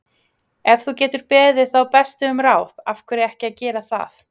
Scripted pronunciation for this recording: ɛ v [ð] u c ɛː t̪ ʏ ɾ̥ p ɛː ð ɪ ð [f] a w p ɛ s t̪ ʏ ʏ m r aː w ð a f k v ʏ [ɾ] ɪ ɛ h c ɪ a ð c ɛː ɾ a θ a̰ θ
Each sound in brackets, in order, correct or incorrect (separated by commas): incorrect, incorrect, correct